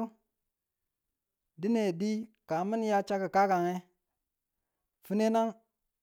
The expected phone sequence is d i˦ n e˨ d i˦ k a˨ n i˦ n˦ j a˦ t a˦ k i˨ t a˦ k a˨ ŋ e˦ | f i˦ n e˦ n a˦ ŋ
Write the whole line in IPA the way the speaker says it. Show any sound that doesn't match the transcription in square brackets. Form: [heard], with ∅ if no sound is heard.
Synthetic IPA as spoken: d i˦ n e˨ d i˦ k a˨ [m] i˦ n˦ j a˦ [t͡ʃ] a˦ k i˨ [k] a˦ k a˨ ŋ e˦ | f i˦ n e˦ n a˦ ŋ